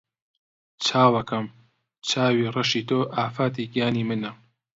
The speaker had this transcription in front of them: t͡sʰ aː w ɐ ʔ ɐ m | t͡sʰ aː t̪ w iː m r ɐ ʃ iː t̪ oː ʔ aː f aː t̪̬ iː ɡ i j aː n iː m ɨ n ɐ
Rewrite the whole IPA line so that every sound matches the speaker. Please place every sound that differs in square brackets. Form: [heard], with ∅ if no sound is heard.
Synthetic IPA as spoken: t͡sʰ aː w ɐ [k] ɐ m | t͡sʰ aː [∅] w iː [∅] r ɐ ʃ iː t̪ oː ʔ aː f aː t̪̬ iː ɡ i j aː n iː m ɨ n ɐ